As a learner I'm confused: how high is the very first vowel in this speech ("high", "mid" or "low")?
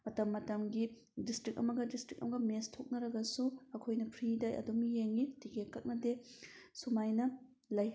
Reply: low